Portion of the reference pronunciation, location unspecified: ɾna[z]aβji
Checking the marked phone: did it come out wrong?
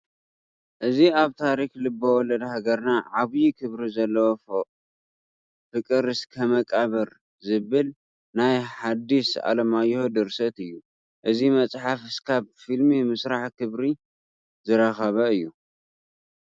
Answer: yes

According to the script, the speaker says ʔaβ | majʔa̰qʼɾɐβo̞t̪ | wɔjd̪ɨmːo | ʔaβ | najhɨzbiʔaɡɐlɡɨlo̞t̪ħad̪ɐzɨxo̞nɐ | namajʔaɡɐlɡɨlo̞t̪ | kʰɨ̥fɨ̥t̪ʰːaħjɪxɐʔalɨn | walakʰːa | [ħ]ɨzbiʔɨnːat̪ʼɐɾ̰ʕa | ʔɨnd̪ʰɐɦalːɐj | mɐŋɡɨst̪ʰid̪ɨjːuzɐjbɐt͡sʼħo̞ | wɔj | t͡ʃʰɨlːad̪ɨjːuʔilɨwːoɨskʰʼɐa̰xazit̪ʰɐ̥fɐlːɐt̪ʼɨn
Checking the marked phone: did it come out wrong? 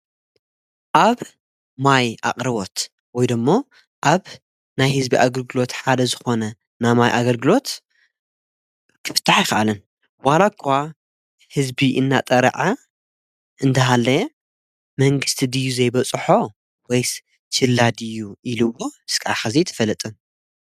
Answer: yes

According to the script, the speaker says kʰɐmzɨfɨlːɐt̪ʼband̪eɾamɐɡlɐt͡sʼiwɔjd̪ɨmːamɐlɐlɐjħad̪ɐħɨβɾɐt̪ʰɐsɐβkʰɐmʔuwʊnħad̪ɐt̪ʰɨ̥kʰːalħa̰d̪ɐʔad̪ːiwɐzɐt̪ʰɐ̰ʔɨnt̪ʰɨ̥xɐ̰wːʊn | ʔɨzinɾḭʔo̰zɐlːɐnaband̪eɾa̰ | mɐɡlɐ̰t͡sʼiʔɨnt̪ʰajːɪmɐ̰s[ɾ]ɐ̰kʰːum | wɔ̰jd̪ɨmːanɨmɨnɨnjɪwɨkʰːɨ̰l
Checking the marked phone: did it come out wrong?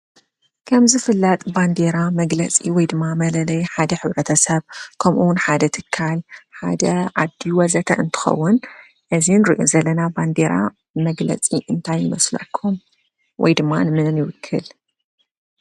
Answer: yes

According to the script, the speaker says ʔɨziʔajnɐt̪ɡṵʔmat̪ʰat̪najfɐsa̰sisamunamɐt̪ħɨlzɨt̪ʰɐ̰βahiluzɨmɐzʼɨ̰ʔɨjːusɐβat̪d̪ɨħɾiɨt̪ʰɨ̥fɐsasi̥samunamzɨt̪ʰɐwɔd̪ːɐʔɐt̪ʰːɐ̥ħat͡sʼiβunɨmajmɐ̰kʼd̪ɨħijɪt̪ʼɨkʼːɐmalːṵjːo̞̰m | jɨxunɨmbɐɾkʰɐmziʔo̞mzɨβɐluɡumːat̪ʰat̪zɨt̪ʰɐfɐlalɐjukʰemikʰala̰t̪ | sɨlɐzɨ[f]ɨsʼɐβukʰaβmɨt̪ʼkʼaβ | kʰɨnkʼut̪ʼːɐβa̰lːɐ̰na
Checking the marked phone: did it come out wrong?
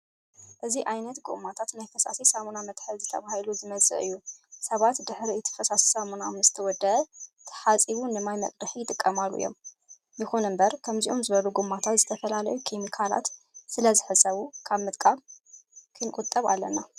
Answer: yes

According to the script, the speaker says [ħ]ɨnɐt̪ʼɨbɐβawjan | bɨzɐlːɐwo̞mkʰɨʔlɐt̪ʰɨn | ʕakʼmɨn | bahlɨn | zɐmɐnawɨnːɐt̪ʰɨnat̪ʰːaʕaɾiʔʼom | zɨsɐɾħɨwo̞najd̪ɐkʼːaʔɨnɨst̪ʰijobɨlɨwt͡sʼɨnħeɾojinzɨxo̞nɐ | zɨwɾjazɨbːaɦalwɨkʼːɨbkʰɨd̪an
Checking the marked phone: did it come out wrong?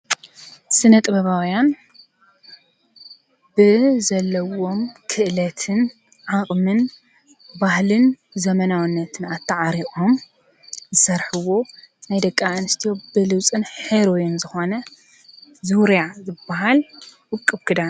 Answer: yes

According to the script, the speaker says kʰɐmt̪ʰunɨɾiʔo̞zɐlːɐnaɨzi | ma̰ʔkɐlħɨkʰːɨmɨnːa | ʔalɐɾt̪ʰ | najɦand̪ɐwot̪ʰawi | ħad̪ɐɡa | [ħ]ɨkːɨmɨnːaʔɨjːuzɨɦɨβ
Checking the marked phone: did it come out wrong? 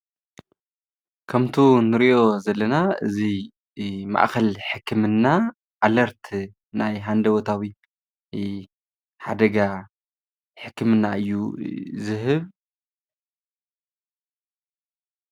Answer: no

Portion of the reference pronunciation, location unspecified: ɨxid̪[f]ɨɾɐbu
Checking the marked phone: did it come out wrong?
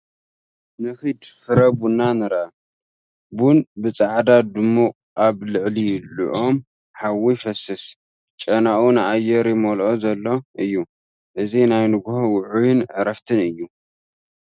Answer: no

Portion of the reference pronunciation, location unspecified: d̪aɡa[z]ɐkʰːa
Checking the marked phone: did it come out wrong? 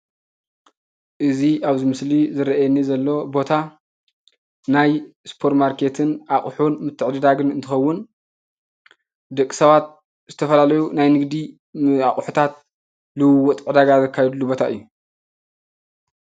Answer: no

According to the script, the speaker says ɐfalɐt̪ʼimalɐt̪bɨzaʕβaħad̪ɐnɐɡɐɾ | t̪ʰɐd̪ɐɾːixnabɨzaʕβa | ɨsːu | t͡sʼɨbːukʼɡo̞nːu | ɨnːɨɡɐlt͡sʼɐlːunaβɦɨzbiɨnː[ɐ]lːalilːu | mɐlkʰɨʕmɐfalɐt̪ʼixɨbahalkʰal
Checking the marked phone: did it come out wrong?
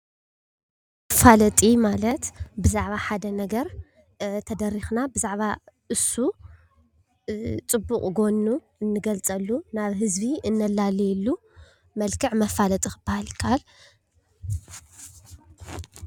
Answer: no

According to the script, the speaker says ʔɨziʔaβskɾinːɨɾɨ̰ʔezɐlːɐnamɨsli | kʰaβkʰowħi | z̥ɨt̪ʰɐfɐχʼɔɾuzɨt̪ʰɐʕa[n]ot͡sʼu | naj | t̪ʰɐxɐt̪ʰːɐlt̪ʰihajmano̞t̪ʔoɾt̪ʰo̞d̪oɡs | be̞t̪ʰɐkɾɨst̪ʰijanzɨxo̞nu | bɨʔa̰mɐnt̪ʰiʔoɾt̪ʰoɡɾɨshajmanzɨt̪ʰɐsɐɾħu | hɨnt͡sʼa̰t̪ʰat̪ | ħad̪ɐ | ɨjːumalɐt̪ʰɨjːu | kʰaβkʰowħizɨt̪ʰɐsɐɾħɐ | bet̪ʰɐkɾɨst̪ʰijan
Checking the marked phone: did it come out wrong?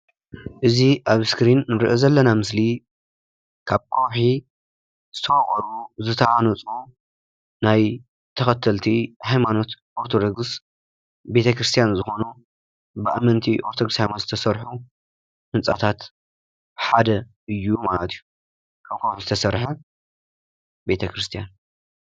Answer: no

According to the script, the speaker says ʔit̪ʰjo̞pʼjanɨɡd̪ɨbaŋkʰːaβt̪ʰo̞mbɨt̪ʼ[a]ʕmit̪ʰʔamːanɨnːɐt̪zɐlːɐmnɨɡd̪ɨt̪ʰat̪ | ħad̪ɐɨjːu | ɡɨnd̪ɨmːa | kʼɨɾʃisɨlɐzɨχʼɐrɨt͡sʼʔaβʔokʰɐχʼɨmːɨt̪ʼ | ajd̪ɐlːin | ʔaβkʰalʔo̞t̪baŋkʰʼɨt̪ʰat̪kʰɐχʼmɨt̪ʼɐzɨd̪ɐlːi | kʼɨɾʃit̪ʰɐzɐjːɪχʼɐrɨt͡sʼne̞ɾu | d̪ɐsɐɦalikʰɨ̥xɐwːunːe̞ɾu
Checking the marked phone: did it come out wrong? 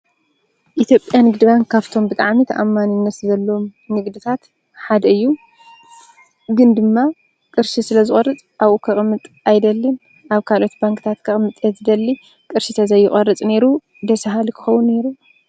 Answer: no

